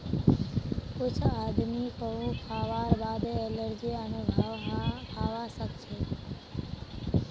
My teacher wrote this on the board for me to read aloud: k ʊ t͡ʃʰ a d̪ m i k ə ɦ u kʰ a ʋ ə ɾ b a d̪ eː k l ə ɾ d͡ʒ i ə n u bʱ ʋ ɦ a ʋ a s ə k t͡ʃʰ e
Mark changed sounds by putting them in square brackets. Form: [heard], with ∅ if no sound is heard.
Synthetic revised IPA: k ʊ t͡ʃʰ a d̪ m i k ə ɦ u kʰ a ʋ [a] ɾ b a d̪ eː [∅] l ə ɾ d͡ʒ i ə n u bʱ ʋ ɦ a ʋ a s ə k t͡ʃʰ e

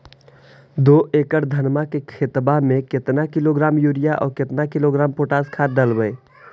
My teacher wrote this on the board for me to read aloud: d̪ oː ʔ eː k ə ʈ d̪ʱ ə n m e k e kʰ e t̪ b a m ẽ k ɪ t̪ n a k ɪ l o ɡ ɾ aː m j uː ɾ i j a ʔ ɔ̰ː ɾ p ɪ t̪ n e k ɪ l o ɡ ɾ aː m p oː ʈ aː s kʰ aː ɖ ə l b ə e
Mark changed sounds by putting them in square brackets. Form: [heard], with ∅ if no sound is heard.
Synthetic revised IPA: d̪ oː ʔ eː k ə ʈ d̪ʱ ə n m [a] k e kʰ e t̪ b a m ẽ k ɪ t̪ n a k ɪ l o ɡ ɾ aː m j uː ɾ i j a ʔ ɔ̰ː ɾ [k] ɪ t̪ n [a] k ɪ l o ɡ ɾ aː m p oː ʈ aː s kʰ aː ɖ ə l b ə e

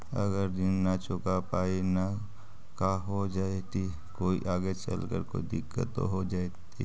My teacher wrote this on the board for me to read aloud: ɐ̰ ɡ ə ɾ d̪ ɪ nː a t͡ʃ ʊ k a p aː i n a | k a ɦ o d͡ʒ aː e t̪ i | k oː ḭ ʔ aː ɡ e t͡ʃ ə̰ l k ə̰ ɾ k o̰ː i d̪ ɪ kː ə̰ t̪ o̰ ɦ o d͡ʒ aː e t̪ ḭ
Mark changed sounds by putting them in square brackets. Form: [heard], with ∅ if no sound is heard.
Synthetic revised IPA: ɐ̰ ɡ ə ɾ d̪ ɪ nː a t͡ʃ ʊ k a p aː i n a | k a ɦ o d͡ʒ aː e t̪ i | k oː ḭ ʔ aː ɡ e t͡ʃ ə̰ l k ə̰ ɾ k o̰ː i d̪ ɪ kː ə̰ t̪ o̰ ɦ o d͡ʒ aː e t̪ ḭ

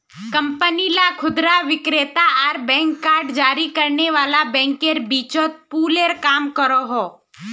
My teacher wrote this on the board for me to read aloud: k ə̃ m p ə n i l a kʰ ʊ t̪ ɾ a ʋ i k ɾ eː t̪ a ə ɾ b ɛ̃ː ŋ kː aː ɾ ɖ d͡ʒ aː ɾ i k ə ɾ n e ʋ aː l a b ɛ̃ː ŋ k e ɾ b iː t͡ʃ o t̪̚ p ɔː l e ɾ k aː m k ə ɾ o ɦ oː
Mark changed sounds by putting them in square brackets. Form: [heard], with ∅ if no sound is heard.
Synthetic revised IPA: k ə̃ m p ə n i l a kʰ ʊ [d̪] ɾ a ʋ [ɪ] k ɾ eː t̪ a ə ɾ b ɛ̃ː ŋ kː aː ɾ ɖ d͡ʒ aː ɾ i k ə ɾ n e ʋ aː l a b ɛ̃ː ŋ k e ɾ b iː t͡ʃ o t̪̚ p [uː] l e ɾ k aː m k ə ɾ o ɦ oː

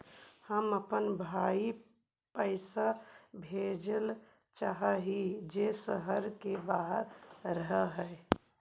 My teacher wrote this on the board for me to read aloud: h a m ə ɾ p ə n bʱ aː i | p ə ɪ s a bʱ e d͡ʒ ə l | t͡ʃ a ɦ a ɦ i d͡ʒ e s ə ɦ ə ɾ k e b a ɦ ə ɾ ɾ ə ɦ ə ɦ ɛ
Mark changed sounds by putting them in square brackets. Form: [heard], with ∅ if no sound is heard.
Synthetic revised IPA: h [ə] m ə [∅] p ə n bʱ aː i | p ə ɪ s a bʱ e d͡ʒ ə l | t͡ʃ a ɦ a ɦ i d͡ʒ e s ə ɦ ə ɾ k e b a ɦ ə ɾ ɾ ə ɦ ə ɦ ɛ

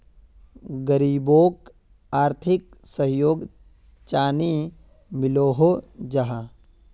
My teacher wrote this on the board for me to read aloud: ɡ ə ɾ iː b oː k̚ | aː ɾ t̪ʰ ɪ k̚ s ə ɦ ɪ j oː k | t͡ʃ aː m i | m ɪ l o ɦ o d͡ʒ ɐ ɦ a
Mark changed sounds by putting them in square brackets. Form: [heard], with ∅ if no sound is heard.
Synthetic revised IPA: ɡ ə ɾ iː b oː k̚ | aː ɾ t̪ʰ ɪ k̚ s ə ɦ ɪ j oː [ɡ] | t͡ʃ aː [n] i | m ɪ l o ɦ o d͡ʒ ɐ ɦ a

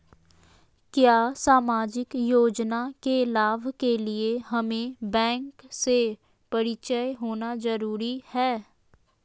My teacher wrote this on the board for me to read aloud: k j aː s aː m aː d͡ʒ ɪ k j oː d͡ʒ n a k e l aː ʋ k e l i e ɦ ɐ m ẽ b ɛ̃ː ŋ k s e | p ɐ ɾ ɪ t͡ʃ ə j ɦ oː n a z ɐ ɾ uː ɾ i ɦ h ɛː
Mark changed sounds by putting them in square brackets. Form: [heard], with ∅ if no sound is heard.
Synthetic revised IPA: k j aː s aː m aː d͡ʒ ɪ k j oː d͡ʒ n a k e l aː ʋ k e l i e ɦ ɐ m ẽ b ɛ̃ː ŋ k s e | p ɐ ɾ ɪ t͡ʃ ə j ɦ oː n a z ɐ ɾ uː ɾ i [∅] h ɛː

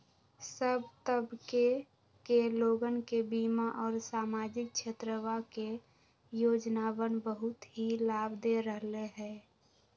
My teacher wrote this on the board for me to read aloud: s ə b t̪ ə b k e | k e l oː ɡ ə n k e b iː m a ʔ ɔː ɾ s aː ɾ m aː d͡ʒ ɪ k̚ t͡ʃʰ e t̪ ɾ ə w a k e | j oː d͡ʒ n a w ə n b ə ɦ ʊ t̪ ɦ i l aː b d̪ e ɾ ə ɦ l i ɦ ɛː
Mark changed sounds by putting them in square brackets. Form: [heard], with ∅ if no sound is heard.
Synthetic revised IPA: s ə b t̪ ə b k e | k e l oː ɡ ə n k e b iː m a ʔ ɔː ɾ s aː [∅] m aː d͡ʒ ɪ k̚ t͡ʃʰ e t̪ ɾ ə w a k e | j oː d͡ʒ n a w ə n b ə ɦ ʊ t̪ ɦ i l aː b d̪ e ɾ ə ɦ l [e] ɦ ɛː

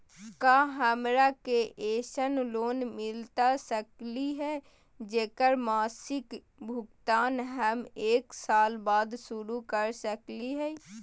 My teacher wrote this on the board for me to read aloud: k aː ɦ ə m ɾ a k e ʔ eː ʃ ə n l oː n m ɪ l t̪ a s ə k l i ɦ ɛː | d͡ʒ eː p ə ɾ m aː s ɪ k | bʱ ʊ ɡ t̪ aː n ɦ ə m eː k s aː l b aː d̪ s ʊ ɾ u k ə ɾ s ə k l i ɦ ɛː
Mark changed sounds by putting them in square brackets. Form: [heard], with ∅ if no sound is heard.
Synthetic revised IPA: k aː ɦ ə m ɾ a k e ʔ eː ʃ ə n l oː n m ɪ l t̪ a s ə k l i ɦ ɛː | d͡ʒ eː [k] ə ɾ m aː s ɪ k | bʱ ʊ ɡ t̪ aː n ɦ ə m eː k s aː l b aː d̪ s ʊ ɾ u k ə ɾ s ə k l i ɦ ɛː

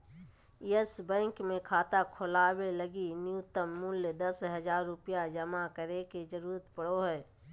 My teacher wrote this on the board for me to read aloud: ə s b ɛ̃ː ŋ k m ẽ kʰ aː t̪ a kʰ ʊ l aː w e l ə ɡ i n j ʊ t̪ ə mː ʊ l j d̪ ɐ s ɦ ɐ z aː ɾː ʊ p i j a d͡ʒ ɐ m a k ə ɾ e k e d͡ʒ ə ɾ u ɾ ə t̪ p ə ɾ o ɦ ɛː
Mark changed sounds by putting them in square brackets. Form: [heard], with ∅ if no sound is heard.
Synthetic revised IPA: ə s b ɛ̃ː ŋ k m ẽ kʰ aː t̪ a kʰ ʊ l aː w e l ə ɡ i n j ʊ t̪ ə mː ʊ l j d̪ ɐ s ɦ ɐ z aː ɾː ʊ p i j a d͡ʒ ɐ m a k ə ɾ e k e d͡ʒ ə ɾ [uː] ɾ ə t̪ p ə [ɽ] o ɦ ɛː

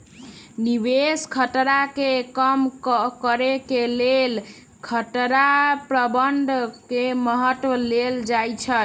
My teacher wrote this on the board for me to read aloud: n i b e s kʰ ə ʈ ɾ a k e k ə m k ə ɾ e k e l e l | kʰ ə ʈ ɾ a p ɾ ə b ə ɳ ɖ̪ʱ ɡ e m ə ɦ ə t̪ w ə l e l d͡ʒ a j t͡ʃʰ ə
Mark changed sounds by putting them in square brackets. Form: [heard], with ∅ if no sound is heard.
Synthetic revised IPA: n i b e s kʰ ə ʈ ɾ a k e k ə m k ə ɾ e k e l e l | kʰ ə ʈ ɾ a p ɾ ə b ə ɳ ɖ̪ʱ [k] e m ə ɦ ə t̪ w ə l e l d͡ʒ a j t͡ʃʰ ə

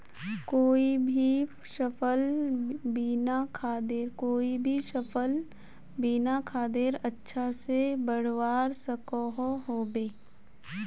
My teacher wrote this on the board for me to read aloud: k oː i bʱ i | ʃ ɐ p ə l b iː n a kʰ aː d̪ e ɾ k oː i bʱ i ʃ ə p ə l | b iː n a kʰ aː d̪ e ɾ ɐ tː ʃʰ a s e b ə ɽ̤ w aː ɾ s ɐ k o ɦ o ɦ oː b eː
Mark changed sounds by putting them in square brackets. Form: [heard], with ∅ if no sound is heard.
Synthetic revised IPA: k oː i bʱ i | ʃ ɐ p ə l b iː n a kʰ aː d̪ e ɾ k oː i bʱ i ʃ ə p ə l | b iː n a kʰ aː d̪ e ɾ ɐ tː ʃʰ a s e b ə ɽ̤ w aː ɾ s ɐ k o ɦ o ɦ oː b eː

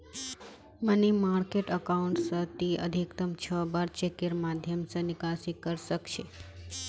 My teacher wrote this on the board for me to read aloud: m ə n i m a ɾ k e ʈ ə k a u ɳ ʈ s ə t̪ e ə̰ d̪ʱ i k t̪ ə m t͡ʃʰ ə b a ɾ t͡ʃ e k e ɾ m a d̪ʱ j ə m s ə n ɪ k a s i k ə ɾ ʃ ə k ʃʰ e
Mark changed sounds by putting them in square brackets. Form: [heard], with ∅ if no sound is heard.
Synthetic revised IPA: m ə n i m a ɾ k e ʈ ə k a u ɳ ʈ s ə t̪ [i] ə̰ d̪ʱ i k t̪ ə m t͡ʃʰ ə b a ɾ t͡ʃ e k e ɾ m a d̪ʱ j ə m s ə n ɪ k a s i k ə ɾ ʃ ə k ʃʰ e

